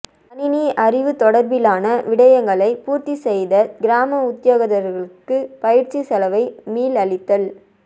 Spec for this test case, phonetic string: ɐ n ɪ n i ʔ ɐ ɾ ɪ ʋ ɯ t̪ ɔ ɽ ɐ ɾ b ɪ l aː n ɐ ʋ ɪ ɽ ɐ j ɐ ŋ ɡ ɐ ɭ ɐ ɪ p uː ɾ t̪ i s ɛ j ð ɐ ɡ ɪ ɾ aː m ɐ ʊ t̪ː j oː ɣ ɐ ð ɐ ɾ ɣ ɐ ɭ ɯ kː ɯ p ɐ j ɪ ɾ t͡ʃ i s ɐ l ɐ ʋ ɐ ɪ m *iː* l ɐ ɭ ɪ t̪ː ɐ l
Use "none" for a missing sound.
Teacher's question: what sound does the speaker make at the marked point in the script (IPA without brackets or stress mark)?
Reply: iː